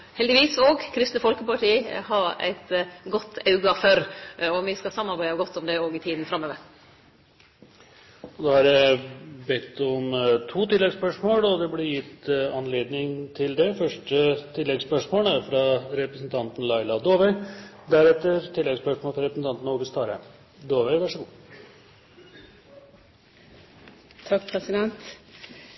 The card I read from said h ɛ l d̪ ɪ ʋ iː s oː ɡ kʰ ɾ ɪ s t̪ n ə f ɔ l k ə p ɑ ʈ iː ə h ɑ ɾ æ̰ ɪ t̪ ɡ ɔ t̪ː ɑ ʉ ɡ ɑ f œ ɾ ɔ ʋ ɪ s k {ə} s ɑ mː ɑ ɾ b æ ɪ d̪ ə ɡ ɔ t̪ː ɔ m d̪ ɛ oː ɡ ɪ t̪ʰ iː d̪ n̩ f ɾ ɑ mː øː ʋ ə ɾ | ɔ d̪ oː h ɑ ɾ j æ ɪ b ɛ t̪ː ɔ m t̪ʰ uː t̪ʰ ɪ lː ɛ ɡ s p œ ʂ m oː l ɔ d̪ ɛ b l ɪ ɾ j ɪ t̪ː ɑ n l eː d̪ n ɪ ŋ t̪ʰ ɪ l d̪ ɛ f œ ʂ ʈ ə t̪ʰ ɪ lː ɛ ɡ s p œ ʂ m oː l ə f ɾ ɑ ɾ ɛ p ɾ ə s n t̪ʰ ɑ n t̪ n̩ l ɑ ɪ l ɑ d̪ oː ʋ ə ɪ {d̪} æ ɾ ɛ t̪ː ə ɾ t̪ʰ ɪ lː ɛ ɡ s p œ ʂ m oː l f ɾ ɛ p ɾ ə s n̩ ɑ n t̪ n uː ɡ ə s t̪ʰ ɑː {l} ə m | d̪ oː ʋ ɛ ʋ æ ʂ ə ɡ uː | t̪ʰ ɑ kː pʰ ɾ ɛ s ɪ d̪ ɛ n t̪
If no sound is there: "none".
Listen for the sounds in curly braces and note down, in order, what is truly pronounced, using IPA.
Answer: ɑ, d̪, ɾ

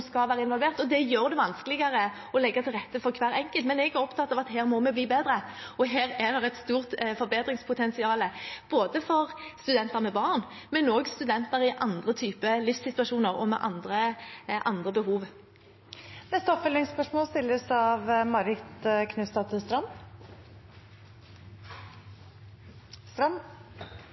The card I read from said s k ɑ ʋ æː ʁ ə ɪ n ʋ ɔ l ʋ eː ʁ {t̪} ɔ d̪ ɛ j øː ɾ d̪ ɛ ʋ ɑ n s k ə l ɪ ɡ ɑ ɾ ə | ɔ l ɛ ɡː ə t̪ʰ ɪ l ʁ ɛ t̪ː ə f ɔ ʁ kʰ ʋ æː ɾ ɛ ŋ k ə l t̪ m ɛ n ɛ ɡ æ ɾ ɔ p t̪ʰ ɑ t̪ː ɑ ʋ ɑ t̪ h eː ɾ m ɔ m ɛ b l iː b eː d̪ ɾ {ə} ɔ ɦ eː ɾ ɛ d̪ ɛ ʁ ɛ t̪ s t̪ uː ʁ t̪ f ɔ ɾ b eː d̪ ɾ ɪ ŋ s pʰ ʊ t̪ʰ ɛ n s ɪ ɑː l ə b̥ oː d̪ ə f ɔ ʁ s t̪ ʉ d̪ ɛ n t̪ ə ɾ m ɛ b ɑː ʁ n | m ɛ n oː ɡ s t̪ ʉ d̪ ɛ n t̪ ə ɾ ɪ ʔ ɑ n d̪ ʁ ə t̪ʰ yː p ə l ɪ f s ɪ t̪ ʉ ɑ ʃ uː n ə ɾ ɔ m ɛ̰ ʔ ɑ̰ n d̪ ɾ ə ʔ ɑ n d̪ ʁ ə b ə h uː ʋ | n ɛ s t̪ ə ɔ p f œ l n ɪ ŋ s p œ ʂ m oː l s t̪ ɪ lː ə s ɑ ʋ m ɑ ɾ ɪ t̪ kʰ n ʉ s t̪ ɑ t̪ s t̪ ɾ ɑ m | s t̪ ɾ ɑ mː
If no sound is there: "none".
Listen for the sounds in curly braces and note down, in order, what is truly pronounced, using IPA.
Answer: t̪, ə

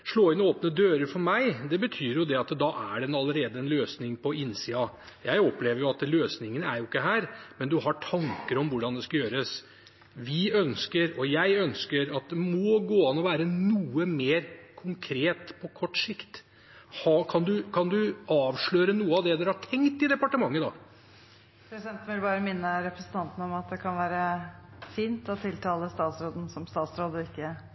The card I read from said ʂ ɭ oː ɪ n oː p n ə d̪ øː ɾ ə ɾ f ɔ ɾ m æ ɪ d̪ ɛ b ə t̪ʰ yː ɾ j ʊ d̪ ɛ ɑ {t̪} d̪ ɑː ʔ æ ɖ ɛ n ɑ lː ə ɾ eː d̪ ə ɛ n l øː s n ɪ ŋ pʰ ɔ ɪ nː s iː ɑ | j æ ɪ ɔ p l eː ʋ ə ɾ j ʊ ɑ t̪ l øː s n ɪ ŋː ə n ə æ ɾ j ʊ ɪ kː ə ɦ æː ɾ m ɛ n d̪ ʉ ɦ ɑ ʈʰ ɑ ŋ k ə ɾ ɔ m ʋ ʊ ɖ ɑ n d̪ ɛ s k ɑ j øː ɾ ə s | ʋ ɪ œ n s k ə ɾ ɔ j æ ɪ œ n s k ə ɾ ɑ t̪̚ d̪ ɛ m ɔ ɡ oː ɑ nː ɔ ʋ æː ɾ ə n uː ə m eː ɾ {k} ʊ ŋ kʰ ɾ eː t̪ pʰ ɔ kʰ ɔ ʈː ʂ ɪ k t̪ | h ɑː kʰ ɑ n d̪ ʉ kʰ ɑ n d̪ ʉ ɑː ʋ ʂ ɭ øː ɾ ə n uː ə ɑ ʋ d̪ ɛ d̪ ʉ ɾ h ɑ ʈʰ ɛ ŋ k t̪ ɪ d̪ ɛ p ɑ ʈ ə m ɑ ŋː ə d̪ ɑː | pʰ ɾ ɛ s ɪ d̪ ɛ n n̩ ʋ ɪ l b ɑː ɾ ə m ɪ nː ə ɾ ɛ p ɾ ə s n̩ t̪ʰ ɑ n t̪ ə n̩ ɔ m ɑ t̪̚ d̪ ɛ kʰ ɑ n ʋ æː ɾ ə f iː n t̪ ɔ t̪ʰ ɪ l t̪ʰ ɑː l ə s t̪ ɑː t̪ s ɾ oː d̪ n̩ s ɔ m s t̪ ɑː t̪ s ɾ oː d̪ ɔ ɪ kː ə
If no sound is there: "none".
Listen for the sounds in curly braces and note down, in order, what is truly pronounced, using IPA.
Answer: t̪, kʰ

